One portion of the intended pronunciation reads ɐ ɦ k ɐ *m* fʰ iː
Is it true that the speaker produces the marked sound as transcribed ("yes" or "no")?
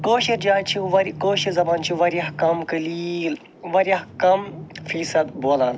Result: yes